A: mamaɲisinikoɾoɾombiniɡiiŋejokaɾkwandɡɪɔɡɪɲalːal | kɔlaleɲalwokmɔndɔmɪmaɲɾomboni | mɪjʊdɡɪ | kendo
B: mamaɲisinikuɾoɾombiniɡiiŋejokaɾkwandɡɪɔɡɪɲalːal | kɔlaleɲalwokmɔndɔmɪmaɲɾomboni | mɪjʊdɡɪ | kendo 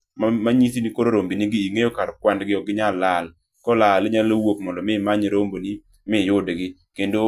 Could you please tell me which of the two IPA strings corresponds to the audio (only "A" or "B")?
A